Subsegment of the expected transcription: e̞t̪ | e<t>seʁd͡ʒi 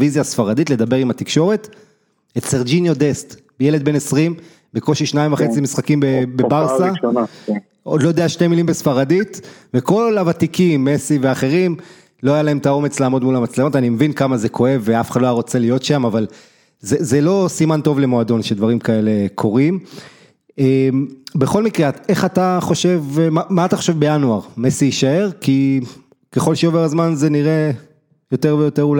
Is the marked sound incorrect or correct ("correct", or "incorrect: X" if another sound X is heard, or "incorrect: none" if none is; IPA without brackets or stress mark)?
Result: correct